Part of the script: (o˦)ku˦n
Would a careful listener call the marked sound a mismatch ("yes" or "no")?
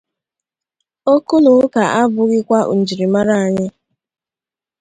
no